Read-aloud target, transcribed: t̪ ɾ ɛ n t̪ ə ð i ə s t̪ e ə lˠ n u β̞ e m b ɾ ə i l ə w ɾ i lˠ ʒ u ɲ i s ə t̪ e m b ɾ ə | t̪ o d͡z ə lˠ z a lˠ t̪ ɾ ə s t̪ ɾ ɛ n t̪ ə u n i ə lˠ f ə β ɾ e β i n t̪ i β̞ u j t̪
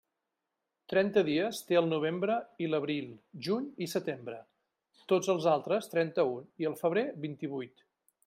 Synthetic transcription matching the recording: t̪ ɾ ɛ n t̪ ə ð i ə s t̪ e ə lˠ n u β̞ e m b ɾ ə i l ə β ɾ i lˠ ʒ u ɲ i s ə t̪ e m b ɾ ə | t̪ o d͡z ə lˠ z a lˠ t̪ ɾ ə s t̪ ɾ ɛ n t̪ ə u n i ə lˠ f ə β ɾ e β i n t̪ i β̞ u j t̪